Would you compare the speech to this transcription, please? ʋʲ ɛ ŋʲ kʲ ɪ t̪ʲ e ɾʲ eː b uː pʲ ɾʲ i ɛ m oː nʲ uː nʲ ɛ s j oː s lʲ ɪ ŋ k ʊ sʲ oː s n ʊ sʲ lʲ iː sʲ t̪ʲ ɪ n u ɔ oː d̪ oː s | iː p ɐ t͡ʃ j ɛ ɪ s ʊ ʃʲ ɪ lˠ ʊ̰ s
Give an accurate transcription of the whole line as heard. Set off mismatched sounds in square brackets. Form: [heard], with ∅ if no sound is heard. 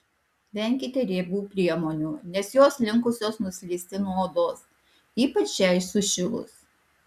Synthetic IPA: ʋʲ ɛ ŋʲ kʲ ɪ t̪ʲ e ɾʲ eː b uː pʲ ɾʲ i ɛ m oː nʲ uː nʲ ɛ s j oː s lʲ ɪ ŋ k ʊ sʲ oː s n ʊ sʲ lʲ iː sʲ t̪ʲ ɪ n u ɔ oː d̪ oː s | iː p ɐ t͡ʃ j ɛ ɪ s ʊ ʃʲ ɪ lˠ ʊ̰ s

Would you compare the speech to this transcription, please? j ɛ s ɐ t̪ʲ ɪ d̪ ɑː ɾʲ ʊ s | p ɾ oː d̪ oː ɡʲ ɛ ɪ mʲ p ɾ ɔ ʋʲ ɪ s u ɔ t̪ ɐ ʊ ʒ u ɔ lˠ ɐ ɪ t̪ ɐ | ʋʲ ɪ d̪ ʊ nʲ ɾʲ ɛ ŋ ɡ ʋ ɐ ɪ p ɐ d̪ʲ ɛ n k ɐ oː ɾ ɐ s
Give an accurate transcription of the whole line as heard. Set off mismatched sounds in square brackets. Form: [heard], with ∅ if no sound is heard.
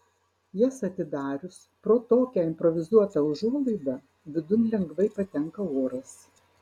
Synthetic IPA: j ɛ s ɐ t̪ʲ ɪ d̪ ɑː ɾʲ ʊ s | p ɾ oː [t̪] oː [kʲ] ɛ ɪ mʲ p ɾ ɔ ʋʲ ɪ [z] u ɔ t̪ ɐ ʊ ʒ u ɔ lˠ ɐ ɪ [d̪] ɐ | ʋʲ ɪ d̪ ʊ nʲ [lʲ] ɛ ŋ ɡ ʋ ɐ ɪ p ɐ [t̪ʲ] ɛ [ŋ] k ɐ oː ɾ ɐ s

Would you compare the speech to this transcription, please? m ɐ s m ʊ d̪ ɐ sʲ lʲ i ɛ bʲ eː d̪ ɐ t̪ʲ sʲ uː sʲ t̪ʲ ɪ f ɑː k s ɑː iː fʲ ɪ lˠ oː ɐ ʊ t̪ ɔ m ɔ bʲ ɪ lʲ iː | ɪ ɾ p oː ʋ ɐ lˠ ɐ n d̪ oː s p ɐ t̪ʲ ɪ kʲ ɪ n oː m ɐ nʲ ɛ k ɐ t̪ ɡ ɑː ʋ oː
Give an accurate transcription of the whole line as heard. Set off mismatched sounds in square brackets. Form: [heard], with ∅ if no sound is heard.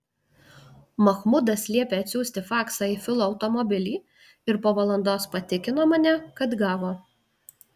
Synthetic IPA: m ɐ [x] m ʊ d̪ ɐ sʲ lʲ i ɛ [pʲ] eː [∅] ɐ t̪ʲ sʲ uː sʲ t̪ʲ ɪ f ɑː k s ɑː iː fʲ ɪ lˠ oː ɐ ʊ t̪ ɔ m ɔ bʲ ɪ lʲ iː | ɪ ɾ p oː ʋ ɐ lˠ ɐ n d̪ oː s p ɐ t̪ʲ ɪ kʲ ɪ n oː m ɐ nʲ ɛ k ɐ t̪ ɡ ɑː ʋ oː

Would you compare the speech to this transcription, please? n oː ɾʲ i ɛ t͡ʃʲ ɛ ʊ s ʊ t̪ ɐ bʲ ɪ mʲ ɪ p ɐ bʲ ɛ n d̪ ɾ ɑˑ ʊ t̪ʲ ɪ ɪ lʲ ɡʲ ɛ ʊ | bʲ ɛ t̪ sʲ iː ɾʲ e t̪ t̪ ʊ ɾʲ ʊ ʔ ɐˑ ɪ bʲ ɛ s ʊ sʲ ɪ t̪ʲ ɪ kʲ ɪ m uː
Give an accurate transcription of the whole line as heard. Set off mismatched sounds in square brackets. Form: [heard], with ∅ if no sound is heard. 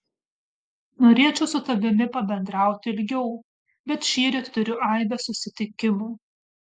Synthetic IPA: n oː ɾʲ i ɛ t͡ʃʲ ɛ ʊ s ʊ t̪ ɐ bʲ ɪ mʲ ɪ p ɐ bʲ ɛ n d̪ ɾ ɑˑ ʊ t̪ʲ ɪ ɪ lʲ ɡʲ ɛ ʊ | bʲ ɛ t̪ [ʃʲ] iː ɾʲ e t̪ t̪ ʊ ɾʲ ʊ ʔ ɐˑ ɪ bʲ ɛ s ʊ sʲ ɪ t̪ʲ ɪ kʲ ɪ m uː

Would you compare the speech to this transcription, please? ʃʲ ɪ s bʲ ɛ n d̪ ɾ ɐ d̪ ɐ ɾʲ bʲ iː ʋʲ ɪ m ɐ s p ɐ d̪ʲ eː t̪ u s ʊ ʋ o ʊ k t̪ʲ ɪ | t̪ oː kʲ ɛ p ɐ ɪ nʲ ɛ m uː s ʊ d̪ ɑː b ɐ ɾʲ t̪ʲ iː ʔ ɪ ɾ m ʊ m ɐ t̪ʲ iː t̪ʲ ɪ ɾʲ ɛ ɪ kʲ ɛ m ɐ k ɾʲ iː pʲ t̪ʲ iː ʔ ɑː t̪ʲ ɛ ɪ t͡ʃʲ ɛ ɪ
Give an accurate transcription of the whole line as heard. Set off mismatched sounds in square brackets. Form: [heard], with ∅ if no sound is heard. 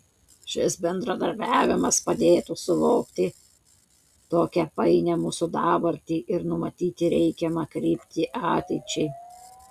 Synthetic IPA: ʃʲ ɪ s bʲ ɛ n d̪ ɾ ɐ d̪ ɐ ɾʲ bʲ [æː] ʋʲ ɪ m ɐ s p ɐ d̪ʲ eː t̪ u s ʊ ʋ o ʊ k t̪ʲ ɪ | t̪ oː kʲ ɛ p ɐ ɪ nʲ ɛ m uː s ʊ d̪ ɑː b ɐ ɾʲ t̪ʲ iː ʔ ɪ ɾ [n] ʊ m ɐ t̪ʲ iː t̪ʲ ɪ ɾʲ ɛ ɪ kʲ ɛ m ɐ k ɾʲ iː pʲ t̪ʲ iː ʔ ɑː t̪ʲ ɛ ɪ t͡ʃʲ ɛ ɪ

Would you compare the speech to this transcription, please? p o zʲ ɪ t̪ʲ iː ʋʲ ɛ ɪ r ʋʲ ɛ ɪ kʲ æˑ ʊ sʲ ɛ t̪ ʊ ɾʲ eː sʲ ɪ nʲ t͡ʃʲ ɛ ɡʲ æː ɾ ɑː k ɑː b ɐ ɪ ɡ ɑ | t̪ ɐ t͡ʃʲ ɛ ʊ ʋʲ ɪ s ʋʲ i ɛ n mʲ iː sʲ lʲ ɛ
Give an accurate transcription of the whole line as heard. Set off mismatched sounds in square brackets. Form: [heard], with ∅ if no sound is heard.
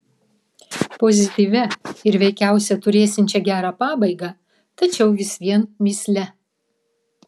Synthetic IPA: p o zʲ ɪ t̪ʲ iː ʋʲ ɛ ɪ [ɾ] ʋʲ ɛ ɪ kʲ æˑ ʊ sʲ ɛ t̪ ʊ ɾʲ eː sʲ ɪ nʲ t͡ʃʲ ɛ ɡʲ æː ɾ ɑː [p] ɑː b ɐ ɪ ɡ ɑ | t̪ ɐ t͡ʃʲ ɛ ʊ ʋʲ ɪ s ʋʲ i ɛ n mʲ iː sʲ lʲ ɛ

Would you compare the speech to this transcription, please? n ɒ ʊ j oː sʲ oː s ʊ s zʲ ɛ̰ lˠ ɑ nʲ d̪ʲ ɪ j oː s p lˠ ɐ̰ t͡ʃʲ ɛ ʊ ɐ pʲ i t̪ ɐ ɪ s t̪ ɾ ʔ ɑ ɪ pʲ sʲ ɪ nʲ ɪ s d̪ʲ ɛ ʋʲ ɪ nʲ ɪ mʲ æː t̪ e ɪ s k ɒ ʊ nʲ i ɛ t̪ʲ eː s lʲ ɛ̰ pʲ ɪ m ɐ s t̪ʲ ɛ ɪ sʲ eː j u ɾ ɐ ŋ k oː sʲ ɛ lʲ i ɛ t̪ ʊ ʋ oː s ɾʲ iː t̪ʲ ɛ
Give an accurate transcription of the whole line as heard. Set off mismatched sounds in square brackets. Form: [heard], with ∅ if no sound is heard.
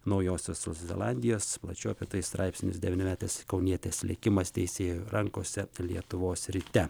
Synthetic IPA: n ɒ ʊ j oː sʲ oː s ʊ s zʲ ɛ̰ lˠ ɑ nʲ d̪ʲ ɪ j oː s p lˠ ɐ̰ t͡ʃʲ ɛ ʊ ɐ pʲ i t̪ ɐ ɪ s t̪ ɾ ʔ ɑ ɪ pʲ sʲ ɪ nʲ ɪ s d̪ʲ ɛ ʋʲ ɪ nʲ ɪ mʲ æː t̪ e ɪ s k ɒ ʊ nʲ i ɛ t̪ʲ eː s lʲ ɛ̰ [kʲ] ɪ m ɐ s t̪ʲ ɛ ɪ sʲ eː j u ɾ ɐ ŋ k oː sʲ ɛ lʲ i ɛ t̪ ʊ ʋ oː s ɾʲ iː t̪ʲ ɛ

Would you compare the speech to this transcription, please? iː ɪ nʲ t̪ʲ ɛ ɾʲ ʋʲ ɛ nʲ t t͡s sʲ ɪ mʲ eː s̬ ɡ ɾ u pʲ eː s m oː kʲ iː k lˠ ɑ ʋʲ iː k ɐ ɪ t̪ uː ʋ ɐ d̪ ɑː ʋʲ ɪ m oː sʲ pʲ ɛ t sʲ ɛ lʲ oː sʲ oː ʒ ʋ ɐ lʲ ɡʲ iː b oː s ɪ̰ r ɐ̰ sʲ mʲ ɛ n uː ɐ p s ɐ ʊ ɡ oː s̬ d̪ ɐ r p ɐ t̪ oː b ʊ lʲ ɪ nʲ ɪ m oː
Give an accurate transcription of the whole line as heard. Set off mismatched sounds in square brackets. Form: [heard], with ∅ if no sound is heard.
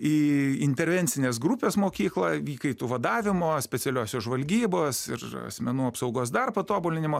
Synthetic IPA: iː ɪ nʲ t̪ʲ ɛ ɾʲ ʋʲ ɛ nʲ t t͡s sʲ ɪ [nʲ] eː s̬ ɡ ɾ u pʲ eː s m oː kʲ iː k lˠ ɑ ʋʲ iː k ɐ ɪ t̪ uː ʋ ɐ d̪ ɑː ʋʲ ɪ m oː sʲ pʲ ɛ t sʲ ɛ lʲ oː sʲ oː ʒ ʋ ɐ lʲ ɡʲ iː b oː s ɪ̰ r ɐ̰ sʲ mʲ ɛ n uː ɐ p s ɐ ʊ ɡ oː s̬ d̪ ɐ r p ɐ t̪ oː b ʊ lʲ ɪ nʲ ɪ m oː

